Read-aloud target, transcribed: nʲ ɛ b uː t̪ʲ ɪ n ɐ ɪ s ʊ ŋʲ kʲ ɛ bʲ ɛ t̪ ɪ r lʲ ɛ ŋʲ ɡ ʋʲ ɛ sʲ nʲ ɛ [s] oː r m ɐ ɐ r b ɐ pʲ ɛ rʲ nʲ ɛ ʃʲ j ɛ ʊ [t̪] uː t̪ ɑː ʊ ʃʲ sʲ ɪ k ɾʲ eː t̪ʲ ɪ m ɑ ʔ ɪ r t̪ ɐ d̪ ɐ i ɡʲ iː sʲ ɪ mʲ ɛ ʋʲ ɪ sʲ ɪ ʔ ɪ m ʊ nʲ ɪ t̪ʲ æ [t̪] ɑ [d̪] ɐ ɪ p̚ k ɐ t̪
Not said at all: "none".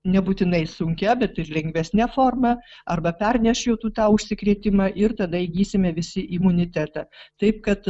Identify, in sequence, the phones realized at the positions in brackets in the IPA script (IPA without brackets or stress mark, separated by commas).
f, t̪, t̪, t̪